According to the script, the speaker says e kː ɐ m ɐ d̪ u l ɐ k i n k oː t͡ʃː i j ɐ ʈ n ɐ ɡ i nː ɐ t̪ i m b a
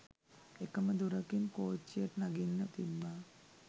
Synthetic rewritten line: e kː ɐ m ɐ d̪ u ɾ ɐ k i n k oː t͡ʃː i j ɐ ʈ n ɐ ɡ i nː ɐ t̪ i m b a